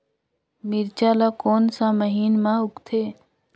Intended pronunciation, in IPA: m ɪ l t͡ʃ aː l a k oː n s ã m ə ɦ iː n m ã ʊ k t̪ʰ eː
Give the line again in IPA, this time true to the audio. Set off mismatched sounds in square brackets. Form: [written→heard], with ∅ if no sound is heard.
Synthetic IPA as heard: m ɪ [l→ɾ] t͡ʃ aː l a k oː n s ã m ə ɦ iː n m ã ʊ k t̪ʰ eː